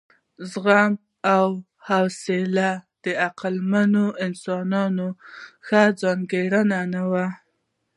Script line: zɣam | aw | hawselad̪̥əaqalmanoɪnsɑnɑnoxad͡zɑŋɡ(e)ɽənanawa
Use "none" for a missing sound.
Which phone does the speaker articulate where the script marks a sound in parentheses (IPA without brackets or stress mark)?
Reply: e